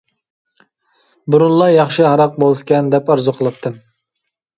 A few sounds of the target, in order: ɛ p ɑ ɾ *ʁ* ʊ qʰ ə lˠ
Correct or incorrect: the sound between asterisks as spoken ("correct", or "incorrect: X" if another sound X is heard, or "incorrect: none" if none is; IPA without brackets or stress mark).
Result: incorrect: z